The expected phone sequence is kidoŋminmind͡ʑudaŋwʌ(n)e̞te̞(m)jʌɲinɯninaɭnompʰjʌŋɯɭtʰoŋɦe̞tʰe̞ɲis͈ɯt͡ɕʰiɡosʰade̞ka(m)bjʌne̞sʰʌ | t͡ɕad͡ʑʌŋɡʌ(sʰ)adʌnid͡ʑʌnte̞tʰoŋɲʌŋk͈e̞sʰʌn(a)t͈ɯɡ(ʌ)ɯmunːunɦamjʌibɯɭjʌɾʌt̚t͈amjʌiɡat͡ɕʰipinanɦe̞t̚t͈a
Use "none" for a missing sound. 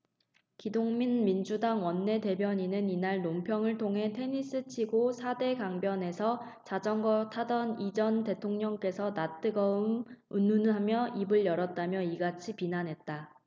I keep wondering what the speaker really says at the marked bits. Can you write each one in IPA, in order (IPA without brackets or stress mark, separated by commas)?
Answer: nː, b, ŋ, tʰ, a, ʌ